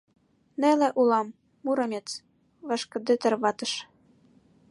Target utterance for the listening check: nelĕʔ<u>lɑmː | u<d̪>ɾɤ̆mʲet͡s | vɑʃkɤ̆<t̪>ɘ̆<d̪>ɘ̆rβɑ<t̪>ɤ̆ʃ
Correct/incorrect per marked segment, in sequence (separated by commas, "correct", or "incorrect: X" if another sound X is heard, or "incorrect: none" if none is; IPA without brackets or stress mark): correct, incorrect: none, incorrect: d̪, incorrect: t̪, correct